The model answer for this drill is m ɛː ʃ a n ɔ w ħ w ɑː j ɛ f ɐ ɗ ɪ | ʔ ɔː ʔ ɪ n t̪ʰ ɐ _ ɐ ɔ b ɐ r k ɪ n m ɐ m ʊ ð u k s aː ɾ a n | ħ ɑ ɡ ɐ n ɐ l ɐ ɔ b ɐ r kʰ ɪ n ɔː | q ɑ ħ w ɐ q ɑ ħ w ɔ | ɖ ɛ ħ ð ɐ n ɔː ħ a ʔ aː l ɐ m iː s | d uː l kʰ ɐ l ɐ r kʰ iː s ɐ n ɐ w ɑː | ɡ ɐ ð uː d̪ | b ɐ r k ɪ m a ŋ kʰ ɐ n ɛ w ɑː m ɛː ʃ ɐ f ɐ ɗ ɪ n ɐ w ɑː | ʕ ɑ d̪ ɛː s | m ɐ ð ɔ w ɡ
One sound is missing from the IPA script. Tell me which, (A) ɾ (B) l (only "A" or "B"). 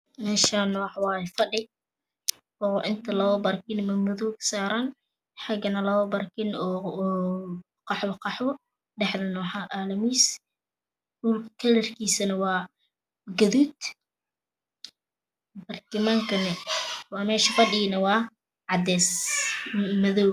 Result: B